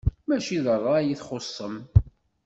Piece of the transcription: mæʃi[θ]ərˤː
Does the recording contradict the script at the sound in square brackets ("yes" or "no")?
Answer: yes